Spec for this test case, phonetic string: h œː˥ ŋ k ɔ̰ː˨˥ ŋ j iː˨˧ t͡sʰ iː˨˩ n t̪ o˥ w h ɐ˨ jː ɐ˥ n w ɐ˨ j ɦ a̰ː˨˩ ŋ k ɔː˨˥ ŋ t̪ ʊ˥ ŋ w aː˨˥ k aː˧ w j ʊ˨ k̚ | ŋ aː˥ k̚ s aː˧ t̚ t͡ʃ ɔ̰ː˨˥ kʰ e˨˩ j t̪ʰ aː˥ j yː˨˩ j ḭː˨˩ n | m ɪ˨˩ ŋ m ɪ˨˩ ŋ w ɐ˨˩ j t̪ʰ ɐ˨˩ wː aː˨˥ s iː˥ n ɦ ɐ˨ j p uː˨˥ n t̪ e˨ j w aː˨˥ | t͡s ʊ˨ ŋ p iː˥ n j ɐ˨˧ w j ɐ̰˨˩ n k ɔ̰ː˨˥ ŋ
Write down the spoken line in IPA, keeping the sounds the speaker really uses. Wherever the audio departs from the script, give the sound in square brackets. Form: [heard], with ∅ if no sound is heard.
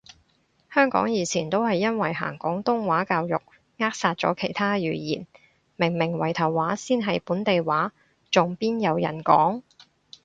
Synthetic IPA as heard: h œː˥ ŋ k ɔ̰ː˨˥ ŋ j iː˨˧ t͡sʰ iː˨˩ n t̪ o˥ w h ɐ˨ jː ɐ˥ n w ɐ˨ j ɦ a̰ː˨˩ ŋ k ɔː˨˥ ŋ t̪ ʊ˥ ŋ w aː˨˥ k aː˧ w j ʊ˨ k̚ | ŋ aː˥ k̚ s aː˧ t̚ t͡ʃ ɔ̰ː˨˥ kʰ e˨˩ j t̪ʰ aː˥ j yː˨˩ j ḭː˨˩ n | m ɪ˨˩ ŋ m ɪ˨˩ ŋ w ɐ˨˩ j t̪ʰ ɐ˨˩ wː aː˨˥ s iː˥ n ɦ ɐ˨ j p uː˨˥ n t̪ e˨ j w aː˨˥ | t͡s ʊ˨ ŋ p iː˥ n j ɐ˨˧ w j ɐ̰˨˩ n k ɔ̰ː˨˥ ŋ